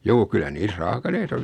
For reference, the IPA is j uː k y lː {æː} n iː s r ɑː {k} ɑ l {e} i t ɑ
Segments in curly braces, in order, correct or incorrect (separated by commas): incorrect, correct, correct